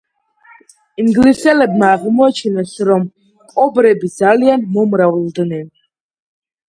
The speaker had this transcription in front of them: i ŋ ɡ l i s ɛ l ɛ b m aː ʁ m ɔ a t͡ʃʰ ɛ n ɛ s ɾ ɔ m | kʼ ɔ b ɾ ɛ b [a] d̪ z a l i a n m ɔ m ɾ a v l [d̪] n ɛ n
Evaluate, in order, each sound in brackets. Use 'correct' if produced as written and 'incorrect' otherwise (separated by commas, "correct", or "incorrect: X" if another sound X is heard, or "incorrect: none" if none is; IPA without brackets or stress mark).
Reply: incorrect: i, correct